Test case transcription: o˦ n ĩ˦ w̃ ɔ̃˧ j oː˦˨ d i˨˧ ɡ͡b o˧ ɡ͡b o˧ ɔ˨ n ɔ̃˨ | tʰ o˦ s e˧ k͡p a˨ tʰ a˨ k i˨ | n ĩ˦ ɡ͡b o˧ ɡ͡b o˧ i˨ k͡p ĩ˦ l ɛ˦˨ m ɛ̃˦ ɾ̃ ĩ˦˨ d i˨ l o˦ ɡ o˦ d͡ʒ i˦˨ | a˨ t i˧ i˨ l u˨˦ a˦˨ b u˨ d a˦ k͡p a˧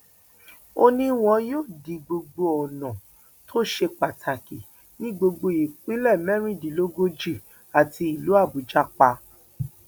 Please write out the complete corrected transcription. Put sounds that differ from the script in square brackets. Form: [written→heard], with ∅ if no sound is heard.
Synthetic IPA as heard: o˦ n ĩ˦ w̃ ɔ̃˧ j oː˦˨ d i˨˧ ɡ͡b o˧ ɡ͡b o˧ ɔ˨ n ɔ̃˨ | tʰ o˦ [s→ʃ] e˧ k͡p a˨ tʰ a˨ k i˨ | n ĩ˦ ɡ͡b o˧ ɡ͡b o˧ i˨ k͡p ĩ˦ l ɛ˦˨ m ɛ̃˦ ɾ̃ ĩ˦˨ d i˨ l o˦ ɡ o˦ d͡ʒ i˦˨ | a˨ t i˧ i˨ l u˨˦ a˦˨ b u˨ [d→d͡ʒ] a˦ k͡p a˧